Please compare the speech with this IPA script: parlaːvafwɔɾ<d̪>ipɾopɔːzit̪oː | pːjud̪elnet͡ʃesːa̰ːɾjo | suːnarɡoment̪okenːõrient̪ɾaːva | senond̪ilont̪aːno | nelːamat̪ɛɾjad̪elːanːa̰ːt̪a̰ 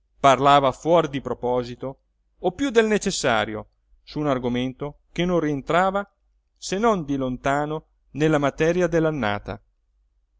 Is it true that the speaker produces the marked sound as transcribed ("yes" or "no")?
yes